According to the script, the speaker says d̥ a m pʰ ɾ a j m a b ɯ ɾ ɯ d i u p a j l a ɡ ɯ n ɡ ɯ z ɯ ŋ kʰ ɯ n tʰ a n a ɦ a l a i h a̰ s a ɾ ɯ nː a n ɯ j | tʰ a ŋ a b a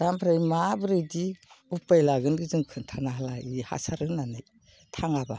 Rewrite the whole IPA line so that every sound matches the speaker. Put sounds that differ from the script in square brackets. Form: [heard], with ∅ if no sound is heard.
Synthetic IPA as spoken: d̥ a m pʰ ɾ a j m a b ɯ ɾ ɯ d i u p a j l a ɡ ɯ n ɡ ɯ z ɯ ŋ kʰ ɯ n tʰ a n a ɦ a l a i h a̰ s a ɾ ɯ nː a n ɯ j | tʰ a ŋ a b a

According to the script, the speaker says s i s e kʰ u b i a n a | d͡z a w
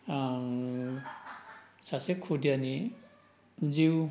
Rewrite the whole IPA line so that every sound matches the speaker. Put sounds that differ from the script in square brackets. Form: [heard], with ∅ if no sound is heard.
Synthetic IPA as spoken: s [a] s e kʰ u [d] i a n [i] | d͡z [i] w

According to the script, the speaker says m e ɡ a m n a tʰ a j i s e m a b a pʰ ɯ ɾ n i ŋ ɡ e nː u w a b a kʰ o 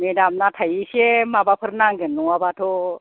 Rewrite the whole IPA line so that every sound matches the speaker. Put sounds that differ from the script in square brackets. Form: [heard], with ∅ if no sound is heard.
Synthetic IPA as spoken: m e [d] a m n a tʰ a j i s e m a b a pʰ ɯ ɾ n [a] ŋ ɡ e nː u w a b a [tʰ] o

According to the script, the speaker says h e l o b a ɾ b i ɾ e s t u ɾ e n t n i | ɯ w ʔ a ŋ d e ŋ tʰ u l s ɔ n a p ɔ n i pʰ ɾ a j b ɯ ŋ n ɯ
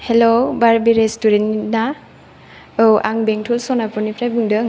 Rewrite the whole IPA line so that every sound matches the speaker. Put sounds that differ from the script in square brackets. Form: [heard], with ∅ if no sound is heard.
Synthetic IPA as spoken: h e l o b a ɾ b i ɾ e s t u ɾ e n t n [a] | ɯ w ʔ a ŋ [b] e ŋ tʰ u l s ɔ n a p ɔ n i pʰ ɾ a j b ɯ ŋ [d] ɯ

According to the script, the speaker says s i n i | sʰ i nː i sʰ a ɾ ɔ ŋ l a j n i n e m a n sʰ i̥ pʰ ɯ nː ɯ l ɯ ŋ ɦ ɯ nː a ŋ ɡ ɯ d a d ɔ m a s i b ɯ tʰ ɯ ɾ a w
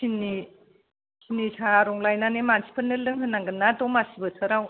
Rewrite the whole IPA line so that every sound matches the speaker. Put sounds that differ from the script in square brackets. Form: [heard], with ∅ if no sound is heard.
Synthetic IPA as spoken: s i n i | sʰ i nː i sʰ a ɾ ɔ ŋ l a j n [a] n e m a n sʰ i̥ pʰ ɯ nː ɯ l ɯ ŋ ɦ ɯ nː a ŋ ɡ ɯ [n] a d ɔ m a s i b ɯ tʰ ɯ ɾ a w

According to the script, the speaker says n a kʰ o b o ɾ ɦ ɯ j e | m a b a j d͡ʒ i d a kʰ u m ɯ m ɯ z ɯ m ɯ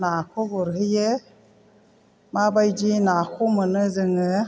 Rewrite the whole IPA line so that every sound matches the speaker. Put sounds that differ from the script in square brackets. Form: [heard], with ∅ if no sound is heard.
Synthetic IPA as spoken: n a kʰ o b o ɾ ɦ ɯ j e | m a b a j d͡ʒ i [n] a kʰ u m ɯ [n] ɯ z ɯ [ŋ] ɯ

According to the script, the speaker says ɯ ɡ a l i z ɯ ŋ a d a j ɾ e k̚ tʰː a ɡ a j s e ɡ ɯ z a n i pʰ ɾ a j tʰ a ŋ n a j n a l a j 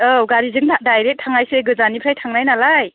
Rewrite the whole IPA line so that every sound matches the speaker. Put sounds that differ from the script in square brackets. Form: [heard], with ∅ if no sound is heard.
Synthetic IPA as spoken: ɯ ɡ a [ɾ] i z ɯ ŋ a d a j ɾ e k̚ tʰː a [ŋ] a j s e ɡ ɯ z a n i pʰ ɾ a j tʰ a ŋ n a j n a l a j

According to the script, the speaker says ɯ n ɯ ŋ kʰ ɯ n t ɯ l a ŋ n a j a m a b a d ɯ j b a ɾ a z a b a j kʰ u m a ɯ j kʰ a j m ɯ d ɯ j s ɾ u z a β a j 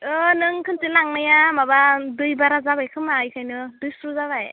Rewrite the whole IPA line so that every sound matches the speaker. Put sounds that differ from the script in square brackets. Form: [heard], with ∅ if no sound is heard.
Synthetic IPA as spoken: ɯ n ɯ ŋ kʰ ɯ n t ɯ l a ŋ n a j a m a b a d ɯ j b a ɾ a z a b a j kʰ [ɯ] m a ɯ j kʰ a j [n] ɯ d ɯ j s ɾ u z a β a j

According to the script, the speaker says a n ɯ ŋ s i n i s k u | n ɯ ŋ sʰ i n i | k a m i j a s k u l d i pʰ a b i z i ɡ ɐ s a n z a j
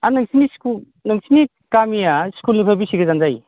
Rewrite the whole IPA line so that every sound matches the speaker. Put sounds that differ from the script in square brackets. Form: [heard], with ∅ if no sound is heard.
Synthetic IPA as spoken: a n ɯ ŋ s i n i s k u | n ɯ ŋ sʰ i n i | k a m i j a s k u l [n] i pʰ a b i [s] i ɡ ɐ [z] a n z a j

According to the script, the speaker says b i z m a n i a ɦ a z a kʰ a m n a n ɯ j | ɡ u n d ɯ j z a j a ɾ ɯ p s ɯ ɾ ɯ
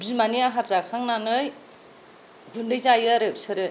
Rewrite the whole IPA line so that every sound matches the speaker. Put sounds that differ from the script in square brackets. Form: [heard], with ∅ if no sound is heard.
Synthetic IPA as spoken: b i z m a n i a ɦ a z a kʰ a [ŋ] n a n ɯ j | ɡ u n d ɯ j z a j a ɾ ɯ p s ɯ ɾ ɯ

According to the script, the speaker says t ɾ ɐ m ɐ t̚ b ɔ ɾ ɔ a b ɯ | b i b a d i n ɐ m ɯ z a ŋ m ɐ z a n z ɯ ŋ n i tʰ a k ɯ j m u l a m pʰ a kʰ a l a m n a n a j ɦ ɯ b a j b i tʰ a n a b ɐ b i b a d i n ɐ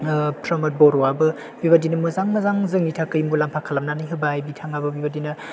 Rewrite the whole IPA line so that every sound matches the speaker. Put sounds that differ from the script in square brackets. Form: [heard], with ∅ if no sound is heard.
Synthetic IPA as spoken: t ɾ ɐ m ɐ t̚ b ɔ ɾ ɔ a b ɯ | b i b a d i n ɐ m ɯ z a ŋ m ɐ z a [ŋ] z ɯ ŋ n i tʰ a k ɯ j m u l a m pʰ a kʰ a l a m n a n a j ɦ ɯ b a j b i tʰ a [ŋ] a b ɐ b i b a d i n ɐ

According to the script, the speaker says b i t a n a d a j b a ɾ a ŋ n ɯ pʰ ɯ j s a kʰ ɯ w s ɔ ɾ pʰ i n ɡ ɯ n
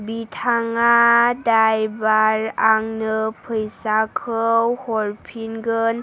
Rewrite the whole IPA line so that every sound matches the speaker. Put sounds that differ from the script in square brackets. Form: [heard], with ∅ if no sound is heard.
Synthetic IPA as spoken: b i [tʰ] a [ŋ] a d a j b a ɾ a ŋ n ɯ pʰ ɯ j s a kʰ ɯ w [h] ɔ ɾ pʰ i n ɡ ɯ n

